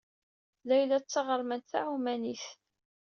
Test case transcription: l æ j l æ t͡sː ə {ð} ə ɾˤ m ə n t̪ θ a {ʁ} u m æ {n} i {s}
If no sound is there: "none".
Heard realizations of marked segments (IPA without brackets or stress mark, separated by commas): ʁ, ʕ, n, θ